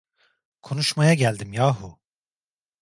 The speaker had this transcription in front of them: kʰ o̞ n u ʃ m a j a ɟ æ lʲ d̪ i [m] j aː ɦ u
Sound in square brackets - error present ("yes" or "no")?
no